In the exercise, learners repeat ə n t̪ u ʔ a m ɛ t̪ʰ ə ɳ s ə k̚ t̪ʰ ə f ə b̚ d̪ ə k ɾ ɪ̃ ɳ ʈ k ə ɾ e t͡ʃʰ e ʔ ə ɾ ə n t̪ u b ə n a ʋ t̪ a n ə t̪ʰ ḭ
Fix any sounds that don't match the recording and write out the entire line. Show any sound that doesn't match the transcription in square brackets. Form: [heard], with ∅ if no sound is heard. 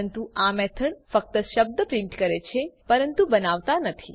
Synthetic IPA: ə n t̪ u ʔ a m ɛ t̪ʰ ə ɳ [f] ə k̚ [t̪] ə [ʃ] ə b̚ d̪ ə [p] ɾ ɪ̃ ɳ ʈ k ə ɾ e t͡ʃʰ e [p] ə ɾ ə n t̪ u b ə n a ʋ t̪ a n ə t̪ʰ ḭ

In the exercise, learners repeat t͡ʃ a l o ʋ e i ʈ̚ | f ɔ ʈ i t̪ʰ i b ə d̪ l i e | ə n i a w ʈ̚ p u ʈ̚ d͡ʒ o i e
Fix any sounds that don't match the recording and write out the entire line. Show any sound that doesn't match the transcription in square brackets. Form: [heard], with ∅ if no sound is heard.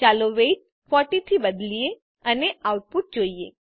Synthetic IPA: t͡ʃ a l o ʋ e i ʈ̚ | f ɔ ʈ i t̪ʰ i b ə d̪ l i e | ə n [e] a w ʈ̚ p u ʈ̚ d͡ʒ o i e

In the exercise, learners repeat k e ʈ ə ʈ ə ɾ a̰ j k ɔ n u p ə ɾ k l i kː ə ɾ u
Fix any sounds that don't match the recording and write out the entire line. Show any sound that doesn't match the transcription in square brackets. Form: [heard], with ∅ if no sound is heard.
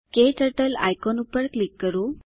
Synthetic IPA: k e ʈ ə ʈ ə [l] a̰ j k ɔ n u p ə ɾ k l i kː ə ɾ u

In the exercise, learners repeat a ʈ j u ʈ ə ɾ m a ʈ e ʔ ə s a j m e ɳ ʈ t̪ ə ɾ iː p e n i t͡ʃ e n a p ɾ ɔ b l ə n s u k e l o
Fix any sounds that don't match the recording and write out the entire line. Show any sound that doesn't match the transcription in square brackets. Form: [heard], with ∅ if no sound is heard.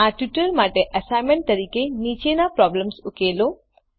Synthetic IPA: a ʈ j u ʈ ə ɾ m a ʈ e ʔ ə s a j m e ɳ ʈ t̪ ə ɾ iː [k] e n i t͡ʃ e n a p ɾ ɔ b l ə [m] s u k e l o

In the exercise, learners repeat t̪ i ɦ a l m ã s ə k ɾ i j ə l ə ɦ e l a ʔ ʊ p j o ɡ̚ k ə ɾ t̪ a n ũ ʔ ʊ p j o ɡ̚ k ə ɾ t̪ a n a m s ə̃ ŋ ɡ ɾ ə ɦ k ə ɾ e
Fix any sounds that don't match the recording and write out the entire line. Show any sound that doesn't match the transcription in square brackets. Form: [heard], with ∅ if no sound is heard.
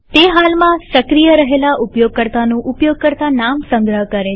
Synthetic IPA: t̪ [e] ɦ a l m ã s ə k ɾ i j ə [ɾ] ə ɦ e l a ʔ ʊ p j o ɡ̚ k ə ɾ t̪ a n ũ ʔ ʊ p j o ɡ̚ k ə ɾ t̪ a n a m s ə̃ ŋ ɡ ɾ ə ɦ k ə ɾ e

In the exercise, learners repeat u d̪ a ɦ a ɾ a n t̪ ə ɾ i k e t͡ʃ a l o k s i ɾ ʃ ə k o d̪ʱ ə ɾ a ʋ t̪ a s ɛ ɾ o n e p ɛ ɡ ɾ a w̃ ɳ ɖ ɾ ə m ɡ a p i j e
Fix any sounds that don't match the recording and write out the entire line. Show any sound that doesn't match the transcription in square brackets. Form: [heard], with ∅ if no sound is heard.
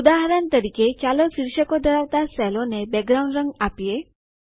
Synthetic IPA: u d̪ a ɦ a ɾ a n t̪ ə ɾ i k e t͡ʃ a l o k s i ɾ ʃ ə k o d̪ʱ ə ɾ a ʋ t̪ a s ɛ [l] o n e [b] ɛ ɡ ɾ a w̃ ɳ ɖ ɾ ə [ŋ] ɡ a p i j e

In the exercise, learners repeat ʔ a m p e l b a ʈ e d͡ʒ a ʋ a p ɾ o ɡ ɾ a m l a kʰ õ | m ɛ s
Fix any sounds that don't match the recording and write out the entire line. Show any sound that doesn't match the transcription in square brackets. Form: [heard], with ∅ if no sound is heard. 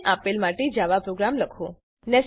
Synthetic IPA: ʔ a [∅] p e l [m] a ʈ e d͡ʒ a ʋ a p ɾ o ɡ ɾ a m l [ə] kʰ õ | [n] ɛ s

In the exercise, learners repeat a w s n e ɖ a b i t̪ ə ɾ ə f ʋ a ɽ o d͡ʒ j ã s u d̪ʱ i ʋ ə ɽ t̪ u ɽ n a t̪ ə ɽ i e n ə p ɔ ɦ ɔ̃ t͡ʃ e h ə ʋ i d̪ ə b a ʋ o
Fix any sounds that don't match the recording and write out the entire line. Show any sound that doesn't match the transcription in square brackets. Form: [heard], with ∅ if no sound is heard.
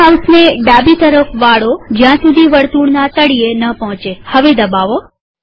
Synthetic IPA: a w s n e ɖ a b i t̪ ə ɾ ə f ʋ a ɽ o d͡ʒ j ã s u d̪ʱ i ʋ ə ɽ t̪ u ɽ n a t̪ ə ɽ i e n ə p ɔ ɦ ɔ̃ t͡ʃ e h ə ʋ [e] d̪ ə b a ʋ o

